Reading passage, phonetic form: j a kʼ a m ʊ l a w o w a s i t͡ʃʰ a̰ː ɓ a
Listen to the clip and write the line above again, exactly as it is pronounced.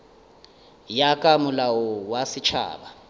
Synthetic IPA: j a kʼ a m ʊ l a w ɔ w a s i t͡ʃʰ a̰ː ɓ a